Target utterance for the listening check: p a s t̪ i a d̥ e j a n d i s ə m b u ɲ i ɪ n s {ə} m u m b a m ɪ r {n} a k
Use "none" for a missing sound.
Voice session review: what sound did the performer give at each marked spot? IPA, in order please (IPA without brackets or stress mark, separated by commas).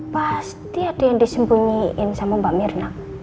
a, n